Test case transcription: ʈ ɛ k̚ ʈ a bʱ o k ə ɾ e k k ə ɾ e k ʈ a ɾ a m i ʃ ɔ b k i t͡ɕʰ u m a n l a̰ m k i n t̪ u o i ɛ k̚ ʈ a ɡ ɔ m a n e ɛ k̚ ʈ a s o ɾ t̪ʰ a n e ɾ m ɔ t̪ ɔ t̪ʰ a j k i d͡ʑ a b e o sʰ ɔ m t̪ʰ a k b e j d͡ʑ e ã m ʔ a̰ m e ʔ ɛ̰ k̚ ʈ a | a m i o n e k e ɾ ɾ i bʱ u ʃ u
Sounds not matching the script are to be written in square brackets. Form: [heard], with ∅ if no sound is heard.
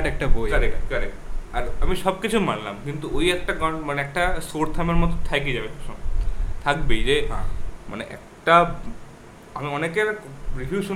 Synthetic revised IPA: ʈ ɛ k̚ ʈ a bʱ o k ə ɾ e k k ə ɾ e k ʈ a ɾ a m i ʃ ɔ b k i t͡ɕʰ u m a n l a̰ m k i n t̪ u o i ɛ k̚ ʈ a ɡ ɔ m a n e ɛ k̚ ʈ a s o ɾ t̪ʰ a [m] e ɾ m ɔ t̪ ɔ t̪ʰ a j k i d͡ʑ a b e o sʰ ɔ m t̪ʰ a k b e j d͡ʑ e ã m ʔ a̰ [n] e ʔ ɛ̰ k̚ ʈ a | a m i [ɔ] n e k e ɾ ɾ i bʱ u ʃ u